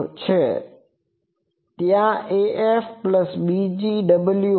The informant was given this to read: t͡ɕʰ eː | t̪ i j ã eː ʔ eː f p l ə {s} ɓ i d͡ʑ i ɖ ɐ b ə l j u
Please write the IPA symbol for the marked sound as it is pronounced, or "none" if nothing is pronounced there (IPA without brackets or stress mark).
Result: s